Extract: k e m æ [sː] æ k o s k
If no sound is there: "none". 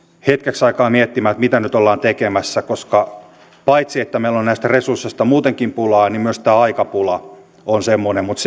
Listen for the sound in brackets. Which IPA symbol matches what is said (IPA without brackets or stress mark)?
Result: sː